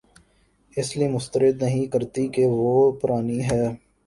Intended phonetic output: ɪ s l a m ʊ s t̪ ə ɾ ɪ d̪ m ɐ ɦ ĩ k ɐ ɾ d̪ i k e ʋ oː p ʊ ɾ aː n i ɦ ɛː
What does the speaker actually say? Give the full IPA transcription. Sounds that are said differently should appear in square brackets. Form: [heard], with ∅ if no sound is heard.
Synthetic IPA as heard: ɪ s l [i] m ʊ s t̪ ə ɾ ɪ d̪ [n] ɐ ɦ ĩ k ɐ ɾ [t̪] i k e ʋ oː p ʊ ɾ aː n i ɦ ɛː